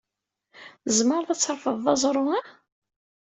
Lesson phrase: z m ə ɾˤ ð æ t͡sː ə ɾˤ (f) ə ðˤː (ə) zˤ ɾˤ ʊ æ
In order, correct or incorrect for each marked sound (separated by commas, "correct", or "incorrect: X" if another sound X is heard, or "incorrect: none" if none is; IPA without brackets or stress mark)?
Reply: correct, incorrect: ɑ